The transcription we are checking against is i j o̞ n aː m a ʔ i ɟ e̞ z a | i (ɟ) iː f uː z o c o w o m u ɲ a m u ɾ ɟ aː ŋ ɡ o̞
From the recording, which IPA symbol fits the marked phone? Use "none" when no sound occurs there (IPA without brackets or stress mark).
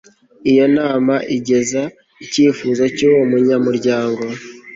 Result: c